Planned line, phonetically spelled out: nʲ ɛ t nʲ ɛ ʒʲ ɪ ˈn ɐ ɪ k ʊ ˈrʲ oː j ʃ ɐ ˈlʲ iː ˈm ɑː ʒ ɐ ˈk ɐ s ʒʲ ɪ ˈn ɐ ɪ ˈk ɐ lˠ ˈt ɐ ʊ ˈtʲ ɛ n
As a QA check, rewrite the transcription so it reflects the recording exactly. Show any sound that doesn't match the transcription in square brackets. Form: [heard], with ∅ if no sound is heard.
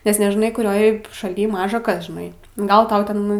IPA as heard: nʲ ɛ [s] nʲ ɛ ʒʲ ɪ ˈn ɐ ɪ k ʊ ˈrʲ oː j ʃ ɐ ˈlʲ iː ˈm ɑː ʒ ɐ ˈk ɐ s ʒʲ ɪ ˈn ɐ ɪ [ˈɡ] ɐ lˠ ˈt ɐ ʊ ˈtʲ ɛ n